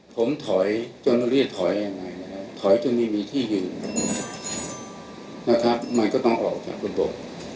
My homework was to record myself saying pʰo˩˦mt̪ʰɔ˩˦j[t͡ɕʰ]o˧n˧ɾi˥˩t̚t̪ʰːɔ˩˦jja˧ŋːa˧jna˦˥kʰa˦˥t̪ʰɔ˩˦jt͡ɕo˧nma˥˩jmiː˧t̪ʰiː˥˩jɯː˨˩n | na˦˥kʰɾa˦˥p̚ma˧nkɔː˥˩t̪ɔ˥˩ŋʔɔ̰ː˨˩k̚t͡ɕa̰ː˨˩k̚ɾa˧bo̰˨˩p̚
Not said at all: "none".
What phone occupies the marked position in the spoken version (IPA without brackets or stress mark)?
t͡ɕ